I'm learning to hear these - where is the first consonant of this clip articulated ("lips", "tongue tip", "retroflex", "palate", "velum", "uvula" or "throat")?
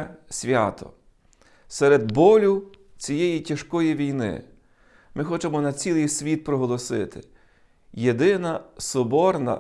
tongue tip